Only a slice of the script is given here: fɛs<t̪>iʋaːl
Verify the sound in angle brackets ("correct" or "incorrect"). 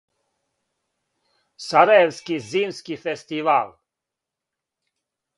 correct